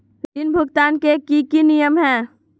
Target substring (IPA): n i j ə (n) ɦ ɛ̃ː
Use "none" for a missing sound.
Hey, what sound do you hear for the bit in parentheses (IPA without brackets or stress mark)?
m